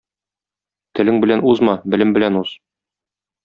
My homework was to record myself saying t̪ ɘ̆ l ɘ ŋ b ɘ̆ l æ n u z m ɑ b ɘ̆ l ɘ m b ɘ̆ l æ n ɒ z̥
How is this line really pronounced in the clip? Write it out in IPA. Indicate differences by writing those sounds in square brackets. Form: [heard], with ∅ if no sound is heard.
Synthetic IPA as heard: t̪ ɘ̆ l ɘ ŋ b ɘ̆ l æ n u z m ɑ b ɘ̆ l ɘ m b ɘ̆ l æ n [u] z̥

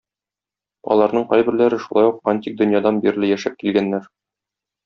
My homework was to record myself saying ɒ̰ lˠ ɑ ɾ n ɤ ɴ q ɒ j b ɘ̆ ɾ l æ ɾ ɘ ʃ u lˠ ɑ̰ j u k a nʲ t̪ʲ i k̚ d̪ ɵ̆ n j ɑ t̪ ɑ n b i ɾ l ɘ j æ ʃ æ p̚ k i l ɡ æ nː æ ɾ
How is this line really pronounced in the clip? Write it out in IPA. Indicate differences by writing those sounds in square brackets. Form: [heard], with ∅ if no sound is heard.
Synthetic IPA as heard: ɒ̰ lˠ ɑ ɾ n ɤ ɴ q ɒ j b ɘ̆ ɾ l æ ɾ ɘ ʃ u lˠ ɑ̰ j u [q] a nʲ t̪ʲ i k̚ d̪ ɵ̆ n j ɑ [d̪] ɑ n b i ɾ l ɘ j æ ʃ æ p̚ k i l ɡ æ nː æ ɾ

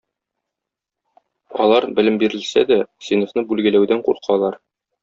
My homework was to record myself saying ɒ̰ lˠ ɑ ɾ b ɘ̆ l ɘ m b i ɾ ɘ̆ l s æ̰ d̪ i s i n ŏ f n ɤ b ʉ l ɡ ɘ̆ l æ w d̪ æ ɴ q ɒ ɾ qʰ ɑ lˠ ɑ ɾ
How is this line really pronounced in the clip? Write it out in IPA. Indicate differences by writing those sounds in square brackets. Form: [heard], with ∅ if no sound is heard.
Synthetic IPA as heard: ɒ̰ lˠ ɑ ɾ b ɘ̆ l ɘ m b i ɾ ɘ̆ l s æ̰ d̪ [æ] s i n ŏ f n ɤ b ʉ l ɡ ɘ̆ l æ w d̪ æ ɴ q [u] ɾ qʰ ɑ lˠ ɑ ɾ

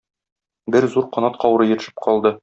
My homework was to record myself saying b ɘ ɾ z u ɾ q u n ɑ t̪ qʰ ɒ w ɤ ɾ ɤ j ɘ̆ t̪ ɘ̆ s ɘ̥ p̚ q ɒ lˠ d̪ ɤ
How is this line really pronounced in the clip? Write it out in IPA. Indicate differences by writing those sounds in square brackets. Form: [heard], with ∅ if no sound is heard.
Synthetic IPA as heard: b ɘ ɾ z u ɾ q [ɒ] n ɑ t̪ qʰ ɒ w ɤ ɾ ɤ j ɘ̆ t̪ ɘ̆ [ʃ] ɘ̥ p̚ q ɒ lˠ d̪ ɤ

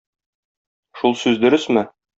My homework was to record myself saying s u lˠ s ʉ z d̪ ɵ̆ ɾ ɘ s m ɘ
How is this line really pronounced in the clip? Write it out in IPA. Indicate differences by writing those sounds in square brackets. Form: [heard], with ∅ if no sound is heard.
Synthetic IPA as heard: [ʃ] u lˠ s ʉ z d̪ ɵ̆ ɾ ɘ s m ɘ

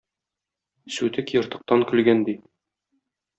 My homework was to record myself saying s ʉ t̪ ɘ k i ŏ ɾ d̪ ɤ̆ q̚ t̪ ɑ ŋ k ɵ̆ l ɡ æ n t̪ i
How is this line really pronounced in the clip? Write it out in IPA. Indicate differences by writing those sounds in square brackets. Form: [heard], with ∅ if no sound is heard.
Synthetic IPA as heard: s ʉ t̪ ɘ k [j] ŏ ɾ [t̪] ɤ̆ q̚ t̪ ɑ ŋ k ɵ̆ l ɡ æ n [d̪] i

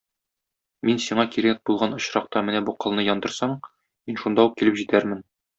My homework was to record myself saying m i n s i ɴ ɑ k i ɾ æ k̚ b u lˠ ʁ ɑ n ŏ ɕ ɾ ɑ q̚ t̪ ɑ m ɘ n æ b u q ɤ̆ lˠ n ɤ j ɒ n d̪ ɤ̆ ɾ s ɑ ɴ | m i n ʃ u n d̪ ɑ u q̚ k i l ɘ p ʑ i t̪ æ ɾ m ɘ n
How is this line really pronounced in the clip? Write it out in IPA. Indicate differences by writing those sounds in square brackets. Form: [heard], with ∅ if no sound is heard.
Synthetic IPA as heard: m i n s i ɴ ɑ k i ɾ æ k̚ b u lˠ ʁ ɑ n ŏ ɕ ɾ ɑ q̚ t̪ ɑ m ɘ n æ b u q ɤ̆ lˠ n ɤ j ɒ n d̪ ɤ̆ ɾ s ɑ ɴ | m i n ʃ u n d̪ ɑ u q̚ k i l ɘ p ʑ i t̪ æ ɾ m ɘ n

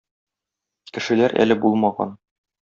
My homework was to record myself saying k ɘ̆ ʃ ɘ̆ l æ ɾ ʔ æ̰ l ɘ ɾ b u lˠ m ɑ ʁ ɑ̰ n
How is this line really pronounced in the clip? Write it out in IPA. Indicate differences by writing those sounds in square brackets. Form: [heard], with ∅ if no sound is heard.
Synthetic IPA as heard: k ɘ̆ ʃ ɘ̆ l æ ɾ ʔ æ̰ l ɘ [∅] b u lˠ m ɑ ʁ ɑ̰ n

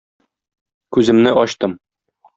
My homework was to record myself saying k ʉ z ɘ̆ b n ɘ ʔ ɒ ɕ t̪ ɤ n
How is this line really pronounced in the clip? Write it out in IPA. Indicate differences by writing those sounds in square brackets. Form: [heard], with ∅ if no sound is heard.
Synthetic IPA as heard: k ʉ z ɘ̆ [m] n ɘ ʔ ɒ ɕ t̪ ɤ [m]

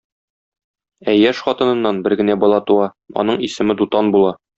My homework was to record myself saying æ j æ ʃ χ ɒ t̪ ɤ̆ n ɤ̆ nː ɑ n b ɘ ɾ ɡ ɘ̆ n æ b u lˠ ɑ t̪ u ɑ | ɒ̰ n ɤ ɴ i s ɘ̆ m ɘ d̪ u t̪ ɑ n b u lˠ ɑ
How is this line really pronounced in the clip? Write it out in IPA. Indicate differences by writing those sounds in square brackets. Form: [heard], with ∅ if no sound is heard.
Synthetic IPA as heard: æ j æ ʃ χ ɒ t̪ ɤ̆ n ɤ̆ nː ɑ n b ɘ ɾ ɡ ɘ̆ n æ b [ɒ] lˠ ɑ t̪ u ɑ | ɒ̰ n ɤ ɴ i s ɘ̆ m ɘ d̪ u t̪ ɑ n b u lˠ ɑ

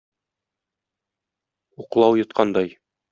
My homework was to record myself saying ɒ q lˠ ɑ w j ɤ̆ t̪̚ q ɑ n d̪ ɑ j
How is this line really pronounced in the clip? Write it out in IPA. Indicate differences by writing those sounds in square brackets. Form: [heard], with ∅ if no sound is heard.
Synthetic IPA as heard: [u] q lˠ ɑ w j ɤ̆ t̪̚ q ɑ n d̪ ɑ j

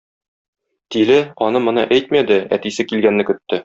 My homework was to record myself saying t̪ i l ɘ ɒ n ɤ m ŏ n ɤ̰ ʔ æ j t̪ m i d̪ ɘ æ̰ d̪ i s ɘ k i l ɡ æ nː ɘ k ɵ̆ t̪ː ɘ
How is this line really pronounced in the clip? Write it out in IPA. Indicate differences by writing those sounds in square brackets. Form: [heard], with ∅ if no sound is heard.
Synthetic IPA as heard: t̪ i l ɘ ɒ n ɤ m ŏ n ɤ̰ ʔ æ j t̪ m [æ] d̪ ɘ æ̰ [t̪] i s ɘ k i l ɡ æ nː ɘ k ɵ̆ t̪ː ɘ

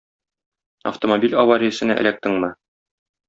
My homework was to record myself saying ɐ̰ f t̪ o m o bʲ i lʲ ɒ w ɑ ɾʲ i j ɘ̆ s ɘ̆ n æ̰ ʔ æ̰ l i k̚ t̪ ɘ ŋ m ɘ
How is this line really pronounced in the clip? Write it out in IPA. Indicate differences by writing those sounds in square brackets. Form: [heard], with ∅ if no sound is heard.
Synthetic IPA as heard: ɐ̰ f t̪ o m o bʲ i lʲ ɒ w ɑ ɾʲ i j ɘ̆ s ɘ̆ n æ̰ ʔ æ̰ l [æ] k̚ t̪ ɘ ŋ m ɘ

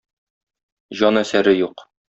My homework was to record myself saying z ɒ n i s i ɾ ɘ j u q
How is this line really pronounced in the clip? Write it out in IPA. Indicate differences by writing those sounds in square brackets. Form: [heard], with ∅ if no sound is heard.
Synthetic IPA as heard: [ʑ] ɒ n [æ] s [æ] ɾ ɘ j u q

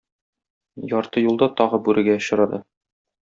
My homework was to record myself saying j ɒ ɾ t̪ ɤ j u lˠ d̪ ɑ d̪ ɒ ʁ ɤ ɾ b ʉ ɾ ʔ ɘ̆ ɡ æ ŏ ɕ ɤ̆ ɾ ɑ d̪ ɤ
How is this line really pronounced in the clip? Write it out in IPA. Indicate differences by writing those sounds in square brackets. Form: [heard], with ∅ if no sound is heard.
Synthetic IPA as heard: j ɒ ɾ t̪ ɤ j u lˠ d̪ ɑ [t̪] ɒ ʁ ɤ [∅] b ʉ ɾ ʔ ɘ̆ ɡ æ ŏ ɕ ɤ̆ ɾ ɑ d̪ ɤ

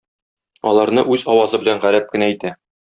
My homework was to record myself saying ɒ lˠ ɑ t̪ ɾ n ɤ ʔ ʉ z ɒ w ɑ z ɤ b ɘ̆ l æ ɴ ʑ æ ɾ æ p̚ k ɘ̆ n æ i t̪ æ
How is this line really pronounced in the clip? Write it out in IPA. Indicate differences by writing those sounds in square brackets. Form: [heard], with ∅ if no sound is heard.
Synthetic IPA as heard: ɒ lˠ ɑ [∅] ɾ n ɤ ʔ ʉ z ɒ w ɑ z ɤ b ɘ̆ l æ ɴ [ʁ] æ ɾ æ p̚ k ɘ̆ n æ i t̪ æ

